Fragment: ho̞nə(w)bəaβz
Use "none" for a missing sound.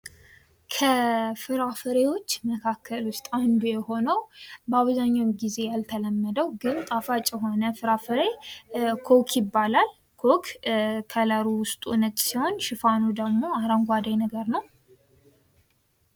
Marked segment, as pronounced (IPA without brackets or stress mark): w